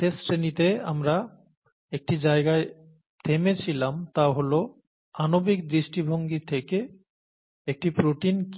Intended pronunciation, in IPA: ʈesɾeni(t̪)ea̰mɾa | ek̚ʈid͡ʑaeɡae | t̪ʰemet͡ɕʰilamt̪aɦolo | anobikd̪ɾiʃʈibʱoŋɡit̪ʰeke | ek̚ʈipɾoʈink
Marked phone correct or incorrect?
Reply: correct